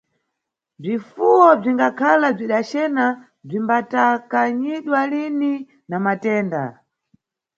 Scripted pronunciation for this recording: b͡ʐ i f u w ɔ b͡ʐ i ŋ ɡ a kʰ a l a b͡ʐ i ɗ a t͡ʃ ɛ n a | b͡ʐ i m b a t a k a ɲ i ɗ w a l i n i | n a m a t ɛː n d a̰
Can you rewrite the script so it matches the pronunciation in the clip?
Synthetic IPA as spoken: b͡ʐ i f u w ɔ b͡ʐ i ŋ ɡ a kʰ a l a b͡ʐ i ɗ a t͡ʃ ɛ n a | b͡ʐ i m b a t a k a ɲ i ɗ w a l i n i | n a m a t ɛː n d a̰